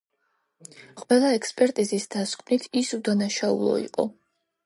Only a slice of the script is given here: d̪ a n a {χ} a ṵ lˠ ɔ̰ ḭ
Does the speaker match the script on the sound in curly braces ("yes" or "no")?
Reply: no